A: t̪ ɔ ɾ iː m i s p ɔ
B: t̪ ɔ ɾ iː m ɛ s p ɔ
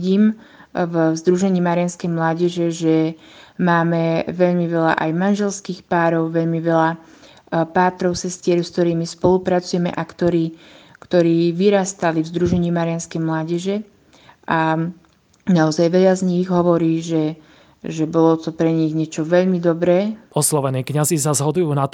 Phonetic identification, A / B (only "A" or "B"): A